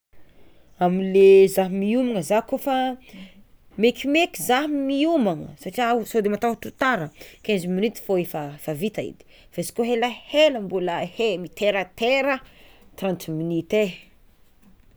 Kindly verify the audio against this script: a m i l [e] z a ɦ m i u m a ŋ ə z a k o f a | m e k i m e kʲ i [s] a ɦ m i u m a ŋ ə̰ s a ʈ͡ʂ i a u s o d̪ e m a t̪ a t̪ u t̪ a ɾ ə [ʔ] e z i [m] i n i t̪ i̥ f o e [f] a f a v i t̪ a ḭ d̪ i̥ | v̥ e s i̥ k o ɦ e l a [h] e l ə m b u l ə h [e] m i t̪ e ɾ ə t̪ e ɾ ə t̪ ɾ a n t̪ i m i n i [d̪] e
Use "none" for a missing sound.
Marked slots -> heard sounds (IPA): e, z, k, m, f, h, e, t̪

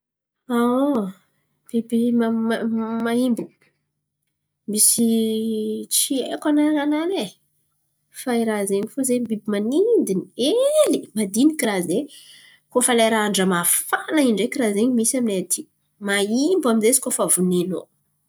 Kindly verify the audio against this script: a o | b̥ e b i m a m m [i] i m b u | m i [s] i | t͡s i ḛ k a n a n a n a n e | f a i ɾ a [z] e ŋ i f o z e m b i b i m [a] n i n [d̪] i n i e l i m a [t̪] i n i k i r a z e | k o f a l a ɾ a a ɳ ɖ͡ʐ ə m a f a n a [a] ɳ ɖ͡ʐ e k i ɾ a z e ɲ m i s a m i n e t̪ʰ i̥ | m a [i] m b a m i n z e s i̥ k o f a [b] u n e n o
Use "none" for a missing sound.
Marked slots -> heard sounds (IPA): a, s, z, a, d̪, d̪, i, i, v

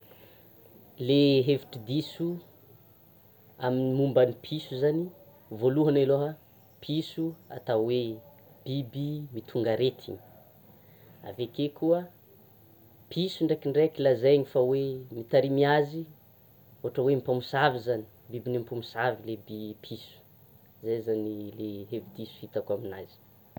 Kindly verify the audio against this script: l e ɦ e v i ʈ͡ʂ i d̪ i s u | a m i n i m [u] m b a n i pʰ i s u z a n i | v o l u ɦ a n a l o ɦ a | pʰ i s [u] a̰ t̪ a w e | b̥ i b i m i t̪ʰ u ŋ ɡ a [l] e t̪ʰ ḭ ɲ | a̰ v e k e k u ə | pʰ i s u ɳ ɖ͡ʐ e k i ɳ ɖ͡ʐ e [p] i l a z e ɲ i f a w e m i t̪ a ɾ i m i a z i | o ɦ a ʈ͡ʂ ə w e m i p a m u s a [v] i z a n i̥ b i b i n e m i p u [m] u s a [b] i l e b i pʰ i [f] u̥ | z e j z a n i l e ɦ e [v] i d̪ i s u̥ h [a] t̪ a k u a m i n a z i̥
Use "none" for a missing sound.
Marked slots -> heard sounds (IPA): u, u, ɾ, k, v, m, v, s, v, i

